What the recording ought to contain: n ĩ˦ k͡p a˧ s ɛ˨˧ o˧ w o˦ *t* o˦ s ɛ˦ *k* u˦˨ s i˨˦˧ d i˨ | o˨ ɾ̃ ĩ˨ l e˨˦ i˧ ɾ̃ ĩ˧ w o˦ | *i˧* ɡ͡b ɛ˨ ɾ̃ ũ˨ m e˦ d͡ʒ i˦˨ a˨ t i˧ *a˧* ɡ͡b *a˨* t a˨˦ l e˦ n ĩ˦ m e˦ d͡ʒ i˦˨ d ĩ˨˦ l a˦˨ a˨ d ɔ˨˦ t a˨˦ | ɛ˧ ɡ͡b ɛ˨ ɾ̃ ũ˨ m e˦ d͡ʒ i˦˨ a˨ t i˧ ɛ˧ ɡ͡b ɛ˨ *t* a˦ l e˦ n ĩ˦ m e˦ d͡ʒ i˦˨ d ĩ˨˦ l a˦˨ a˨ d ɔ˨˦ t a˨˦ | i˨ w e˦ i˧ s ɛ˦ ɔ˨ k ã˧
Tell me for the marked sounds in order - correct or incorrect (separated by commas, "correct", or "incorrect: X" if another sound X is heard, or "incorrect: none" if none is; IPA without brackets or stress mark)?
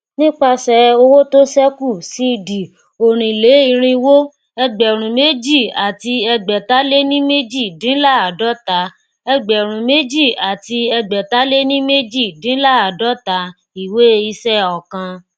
correct, correct, incorrect: ɛ˧, incorrect: ɛ˧, incorrect: ɛ˨, correct